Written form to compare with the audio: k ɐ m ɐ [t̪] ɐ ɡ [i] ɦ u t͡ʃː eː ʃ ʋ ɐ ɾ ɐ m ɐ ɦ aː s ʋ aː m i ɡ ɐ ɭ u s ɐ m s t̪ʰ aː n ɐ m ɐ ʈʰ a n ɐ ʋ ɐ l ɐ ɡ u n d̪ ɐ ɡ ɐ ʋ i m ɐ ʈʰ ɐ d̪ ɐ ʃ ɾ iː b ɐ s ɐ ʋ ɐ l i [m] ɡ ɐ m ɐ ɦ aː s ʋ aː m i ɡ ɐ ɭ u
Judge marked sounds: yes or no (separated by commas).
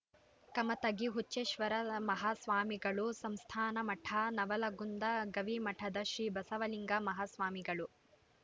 yes, yes, no